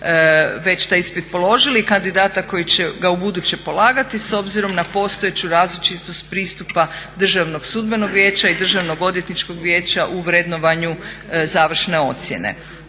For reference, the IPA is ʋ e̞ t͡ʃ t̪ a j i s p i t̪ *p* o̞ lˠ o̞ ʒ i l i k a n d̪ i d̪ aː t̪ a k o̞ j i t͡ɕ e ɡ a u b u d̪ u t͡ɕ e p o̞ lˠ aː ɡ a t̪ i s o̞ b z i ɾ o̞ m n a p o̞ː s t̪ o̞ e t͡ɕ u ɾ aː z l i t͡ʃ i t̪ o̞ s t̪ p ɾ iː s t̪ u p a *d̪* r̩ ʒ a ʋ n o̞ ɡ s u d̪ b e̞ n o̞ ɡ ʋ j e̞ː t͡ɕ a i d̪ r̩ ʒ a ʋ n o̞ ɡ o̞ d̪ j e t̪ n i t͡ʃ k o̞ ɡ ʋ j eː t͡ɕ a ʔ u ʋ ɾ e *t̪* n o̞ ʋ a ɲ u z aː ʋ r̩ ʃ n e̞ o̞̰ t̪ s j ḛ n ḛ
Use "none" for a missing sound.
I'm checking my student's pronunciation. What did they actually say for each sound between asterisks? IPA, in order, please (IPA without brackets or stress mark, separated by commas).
p, d̪, d̪